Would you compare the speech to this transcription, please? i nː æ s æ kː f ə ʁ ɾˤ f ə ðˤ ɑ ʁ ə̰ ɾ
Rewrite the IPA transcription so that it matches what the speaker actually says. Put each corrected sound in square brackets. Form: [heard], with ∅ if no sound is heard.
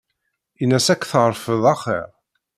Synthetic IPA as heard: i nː æ s æ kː [θ] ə ʁ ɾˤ f ə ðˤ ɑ [χ] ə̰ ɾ